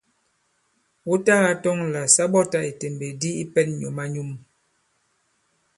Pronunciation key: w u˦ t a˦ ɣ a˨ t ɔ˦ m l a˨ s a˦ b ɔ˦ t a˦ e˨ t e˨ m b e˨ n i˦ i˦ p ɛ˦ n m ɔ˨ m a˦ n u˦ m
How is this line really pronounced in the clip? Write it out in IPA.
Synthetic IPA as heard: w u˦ t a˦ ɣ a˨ t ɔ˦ ŋ l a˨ s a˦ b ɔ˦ t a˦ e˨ t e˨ m b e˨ d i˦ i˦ p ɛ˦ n ɲ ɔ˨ m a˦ ɲ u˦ m

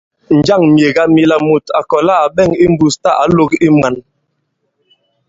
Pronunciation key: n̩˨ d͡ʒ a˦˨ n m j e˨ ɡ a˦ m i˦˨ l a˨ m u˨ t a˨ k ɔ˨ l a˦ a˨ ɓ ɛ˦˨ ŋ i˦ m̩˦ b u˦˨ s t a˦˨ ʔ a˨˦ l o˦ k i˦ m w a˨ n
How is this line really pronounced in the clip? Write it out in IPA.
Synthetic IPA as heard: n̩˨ d͡ʒ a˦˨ ŋ m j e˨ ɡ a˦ m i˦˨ l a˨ m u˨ t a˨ k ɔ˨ l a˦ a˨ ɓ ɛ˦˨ ŋ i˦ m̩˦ b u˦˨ s t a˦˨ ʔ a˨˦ l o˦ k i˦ m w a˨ n

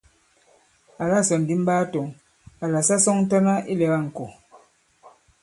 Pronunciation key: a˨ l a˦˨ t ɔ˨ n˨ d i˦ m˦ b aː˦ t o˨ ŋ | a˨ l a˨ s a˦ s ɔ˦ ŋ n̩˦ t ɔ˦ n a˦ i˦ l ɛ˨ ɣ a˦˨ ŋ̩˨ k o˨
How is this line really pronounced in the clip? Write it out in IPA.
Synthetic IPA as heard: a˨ l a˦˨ s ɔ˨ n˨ d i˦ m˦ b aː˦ t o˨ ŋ | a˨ l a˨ s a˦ s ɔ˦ ŋ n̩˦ t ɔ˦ n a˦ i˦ l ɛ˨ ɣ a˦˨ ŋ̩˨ k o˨

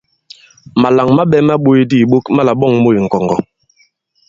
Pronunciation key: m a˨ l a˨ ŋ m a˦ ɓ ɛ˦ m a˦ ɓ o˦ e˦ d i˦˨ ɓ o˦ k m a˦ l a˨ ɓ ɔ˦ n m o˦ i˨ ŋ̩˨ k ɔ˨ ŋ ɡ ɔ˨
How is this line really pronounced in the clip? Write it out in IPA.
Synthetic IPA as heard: m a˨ l a˨ ŋ m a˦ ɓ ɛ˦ m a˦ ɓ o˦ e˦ d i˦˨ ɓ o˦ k m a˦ l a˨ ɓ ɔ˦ ŋ m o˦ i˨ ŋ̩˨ k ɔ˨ ŋ ɡ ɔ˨

